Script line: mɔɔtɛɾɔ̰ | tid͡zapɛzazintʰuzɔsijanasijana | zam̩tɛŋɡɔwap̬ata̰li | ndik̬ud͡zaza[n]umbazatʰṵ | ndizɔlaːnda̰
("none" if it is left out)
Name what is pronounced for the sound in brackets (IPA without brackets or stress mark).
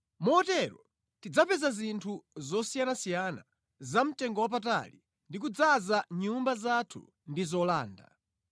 ɲ